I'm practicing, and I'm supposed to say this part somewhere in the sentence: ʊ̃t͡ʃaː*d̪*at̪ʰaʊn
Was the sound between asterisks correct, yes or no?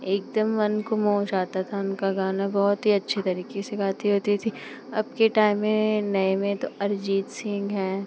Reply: no